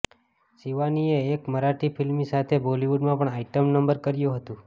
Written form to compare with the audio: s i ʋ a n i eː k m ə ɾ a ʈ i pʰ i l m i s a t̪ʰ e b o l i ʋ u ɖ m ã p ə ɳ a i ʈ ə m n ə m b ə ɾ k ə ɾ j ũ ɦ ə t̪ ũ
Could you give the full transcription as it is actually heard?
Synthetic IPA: s i ʋ a n i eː k m ə ɾ a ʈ i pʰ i l m i s a t̪ʰ e b o l i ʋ u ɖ m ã p ə ɳ a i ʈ ə m n ə m b ə ɾ k ə ɾ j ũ ɦ ə t̪ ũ